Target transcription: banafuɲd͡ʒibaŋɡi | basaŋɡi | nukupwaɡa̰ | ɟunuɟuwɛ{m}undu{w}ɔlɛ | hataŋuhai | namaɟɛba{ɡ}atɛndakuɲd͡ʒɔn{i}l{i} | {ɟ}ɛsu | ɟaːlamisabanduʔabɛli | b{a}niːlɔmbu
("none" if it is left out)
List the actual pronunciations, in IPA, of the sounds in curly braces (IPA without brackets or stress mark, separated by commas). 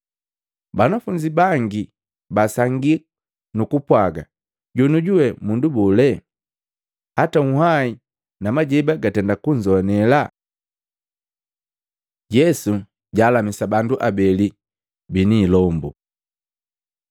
m, b, ɡ, ɛ, a, ɟ, i